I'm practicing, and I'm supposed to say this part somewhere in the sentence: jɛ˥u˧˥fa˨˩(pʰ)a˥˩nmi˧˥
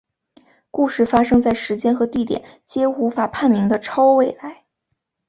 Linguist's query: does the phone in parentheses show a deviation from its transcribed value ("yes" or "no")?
no